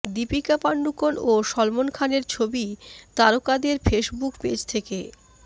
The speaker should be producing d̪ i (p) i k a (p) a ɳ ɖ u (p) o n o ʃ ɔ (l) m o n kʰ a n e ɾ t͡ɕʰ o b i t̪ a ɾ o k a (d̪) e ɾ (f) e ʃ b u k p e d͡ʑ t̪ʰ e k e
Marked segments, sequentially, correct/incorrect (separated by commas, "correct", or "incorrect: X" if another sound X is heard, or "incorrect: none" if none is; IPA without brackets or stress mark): correct, correct, incorrect: k, correct, correct, correct